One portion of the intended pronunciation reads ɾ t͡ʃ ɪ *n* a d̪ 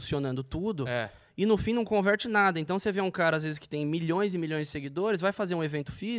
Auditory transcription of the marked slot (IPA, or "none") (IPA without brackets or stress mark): n